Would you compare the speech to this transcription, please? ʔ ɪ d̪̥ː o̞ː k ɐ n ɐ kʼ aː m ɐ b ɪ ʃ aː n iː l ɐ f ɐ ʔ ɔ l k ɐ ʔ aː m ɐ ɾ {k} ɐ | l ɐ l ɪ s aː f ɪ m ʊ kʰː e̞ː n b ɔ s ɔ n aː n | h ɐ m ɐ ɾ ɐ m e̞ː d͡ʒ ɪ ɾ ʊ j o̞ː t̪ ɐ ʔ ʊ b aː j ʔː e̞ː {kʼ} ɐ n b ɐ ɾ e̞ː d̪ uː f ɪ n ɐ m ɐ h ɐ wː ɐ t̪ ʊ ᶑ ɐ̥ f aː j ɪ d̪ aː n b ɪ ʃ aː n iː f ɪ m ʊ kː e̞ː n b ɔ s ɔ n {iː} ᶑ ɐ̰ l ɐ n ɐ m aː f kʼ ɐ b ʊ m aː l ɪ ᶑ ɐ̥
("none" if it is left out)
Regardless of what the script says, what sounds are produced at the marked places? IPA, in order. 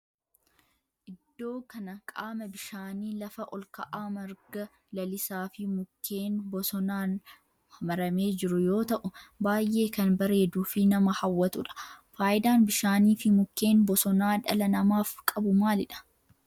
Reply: ɡ, k, aː

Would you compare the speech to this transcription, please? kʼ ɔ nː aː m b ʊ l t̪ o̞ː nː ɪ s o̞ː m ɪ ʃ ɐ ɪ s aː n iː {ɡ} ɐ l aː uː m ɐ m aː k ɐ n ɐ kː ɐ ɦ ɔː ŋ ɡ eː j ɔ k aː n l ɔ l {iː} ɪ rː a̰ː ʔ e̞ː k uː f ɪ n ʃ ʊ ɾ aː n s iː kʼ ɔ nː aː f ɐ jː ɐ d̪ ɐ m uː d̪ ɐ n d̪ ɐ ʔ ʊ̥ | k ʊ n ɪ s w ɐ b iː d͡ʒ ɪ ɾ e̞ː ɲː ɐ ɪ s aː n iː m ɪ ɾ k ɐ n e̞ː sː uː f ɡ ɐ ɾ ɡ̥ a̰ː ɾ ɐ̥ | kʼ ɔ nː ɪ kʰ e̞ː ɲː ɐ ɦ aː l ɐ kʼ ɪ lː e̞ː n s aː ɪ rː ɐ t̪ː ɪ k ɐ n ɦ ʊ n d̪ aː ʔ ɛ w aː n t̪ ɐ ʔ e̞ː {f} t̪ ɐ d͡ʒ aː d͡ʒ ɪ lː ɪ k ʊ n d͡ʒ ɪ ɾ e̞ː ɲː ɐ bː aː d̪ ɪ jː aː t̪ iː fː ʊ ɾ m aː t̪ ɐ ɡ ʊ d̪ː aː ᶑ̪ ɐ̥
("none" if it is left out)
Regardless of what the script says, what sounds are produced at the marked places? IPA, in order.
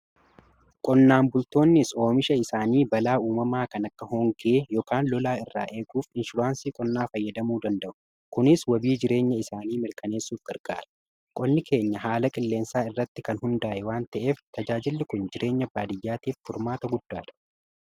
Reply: b, aː, f

